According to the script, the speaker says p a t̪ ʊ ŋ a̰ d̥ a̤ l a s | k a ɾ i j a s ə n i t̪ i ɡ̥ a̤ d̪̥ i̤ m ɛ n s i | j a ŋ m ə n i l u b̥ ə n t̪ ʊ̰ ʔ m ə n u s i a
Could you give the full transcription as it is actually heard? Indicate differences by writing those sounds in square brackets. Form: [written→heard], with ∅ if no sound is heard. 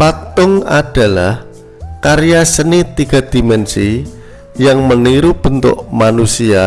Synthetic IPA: p a t̪ ʊ ŋ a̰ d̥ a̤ l a [s→h] | k a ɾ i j a s ə n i t̪ i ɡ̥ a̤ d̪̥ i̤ m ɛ n s i | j a ŋ m ə n i [l→ɾ] u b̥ ə n t̪ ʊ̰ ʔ m [ə→a] n u s i a

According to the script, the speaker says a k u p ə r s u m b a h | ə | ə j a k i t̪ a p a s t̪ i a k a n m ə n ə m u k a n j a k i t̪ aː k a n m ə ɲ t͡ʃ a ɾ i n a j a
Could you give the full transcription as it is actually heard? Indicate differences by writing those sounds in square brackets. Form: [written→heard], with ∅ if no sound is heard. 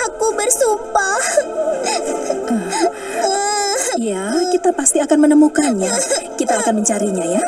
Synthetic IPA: a k u [p→b] ə r s u m [b→p] a h | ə | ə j a k i t̪ a p a s t̪ i a k a n m ə n ə m u k a n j a k i t̪ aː k a n m ə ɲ t͡ʃ a ɾ i [n→ɲ] a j a

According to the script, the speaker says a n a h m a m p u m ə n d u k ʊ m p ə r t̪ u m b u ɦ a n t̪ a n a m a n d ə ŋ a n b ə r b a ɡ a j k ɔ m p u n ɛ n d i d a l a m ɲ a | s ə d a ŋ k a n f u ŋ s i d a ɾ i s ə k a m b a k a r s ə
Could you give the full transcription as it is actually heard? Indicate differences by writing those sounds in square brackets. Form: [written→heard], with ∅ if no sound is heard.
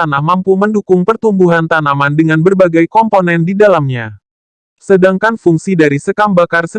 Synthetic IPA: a n a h m a m p u m ə n d u k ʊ [m→ŋ] p ə r t̪ u m b u ɦ a n t̪ a n a m a n d ə ŋ a n b ə r b a ɡ a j k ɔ m p [u→o] n ɛ n d i d a l a m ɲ a | s ə d a ŋ k a n f u ŋ s i d a ɾ i s ə k a m b a k a r s ə

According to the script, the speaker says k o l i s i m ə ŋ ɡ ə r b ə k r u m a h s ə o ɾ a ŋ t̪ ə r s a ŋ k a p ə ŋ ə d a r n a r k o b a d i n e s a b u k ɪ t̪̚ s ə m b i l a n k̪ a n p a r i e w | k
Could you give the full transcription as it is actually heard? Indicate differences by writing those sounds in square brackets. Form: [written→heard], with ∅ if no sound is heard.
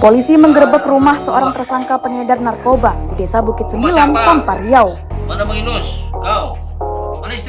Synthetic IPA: [k→p] o l i s i m ə ŋ ɡ ə r b ə k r u m a h s ə o ɾ a ŋ t̪ ə r s a ŋ k a p ə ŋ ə d a r n a r k o b a d i [n→d] e s a b u k ɪ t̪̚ s ə m b i l a n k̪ a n p a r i [e→a] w | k

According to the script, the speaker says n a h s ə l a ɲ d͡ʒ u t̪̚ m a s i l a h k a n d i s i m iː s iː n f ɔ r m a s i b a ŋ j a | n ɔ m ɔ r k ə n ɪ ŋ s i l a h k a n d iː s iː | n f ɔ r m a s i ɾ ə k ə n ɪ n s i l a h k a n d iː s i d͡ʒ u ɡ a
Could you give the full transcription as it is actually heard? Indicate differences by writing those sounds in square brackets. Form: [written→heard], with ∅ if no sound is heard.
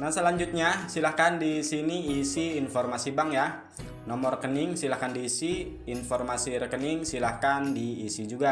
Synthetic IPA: n a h s ə l a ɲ d͡ʒ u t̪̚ [m→ɲ] a s i l a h k a n d i s i [m→n] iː s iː n f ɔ r m a s i b a ŋ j a | n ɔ m ɔ r k ə n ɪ ŋ s i l a h k a n d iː s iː | n f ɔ r m a s i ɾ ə k ə n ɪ [n→ŋ] s i l a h k a n d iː s i d͡ʒ u ɡ a

